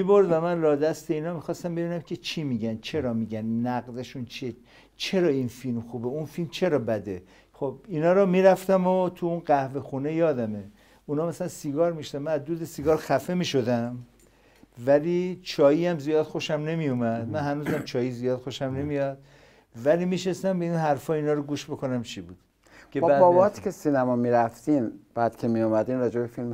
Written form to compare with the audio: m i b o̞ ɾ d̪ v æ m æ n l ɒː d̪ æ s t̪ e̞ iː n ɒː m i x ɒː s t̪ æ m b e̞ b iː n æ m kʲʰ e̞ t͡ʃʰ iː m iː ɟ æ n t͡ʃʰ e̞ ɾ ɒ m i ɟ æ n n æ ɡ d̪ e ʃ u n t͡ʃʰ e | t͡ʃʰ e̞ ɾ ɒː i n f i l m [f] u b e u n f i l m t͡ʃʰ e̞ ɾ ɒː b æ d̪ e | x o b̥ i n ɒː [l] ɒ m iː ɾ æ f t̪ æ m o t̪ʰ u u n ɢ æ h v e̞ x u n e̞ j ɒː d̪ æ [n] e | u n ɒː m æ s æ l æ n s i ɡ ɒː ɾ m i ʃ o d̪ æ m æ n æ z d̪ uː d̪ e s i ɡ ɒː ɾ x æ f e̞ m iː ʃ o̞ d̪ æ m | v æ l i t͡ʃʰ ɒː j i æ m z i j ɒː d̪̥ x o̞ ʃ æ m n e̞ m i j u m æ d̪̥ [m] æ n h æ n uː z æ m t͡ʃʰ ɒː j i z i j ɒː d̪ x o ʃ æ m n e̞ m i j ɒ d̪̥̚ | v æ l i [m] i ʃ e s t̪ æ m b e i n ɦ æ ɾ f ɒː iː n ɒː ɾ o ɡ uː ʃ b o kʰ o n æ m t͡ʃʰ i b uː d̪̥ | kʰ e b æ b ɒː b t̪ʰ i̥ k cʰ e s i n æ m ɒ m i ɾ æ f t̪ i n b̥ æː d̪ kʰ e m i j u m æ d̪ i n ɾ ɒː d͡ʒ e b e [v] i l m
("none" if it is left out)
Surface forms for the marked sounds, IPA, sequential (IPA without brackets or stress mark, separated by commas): x, ɾ, m, m, m, f